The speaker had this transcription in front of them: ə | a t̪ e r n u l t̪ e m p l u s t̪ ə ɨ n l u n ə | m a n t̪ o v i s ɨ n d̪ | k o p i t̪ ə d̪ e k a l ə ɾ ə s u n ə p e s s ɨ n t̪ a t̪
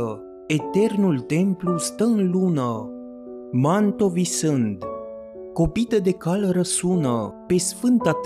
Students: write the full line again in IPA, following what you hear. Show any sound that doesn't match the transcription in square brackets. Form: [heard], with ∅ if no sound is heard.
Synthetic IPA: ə | [e] t̪ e r n u l t̪ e m p l u s t̪ ə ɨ n l u n ə | m a n t̪ o v i s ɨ n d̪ | k o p i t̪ ə d̪ e k a l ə ɾ ə s u n ə p e s [f] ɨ n t̪ a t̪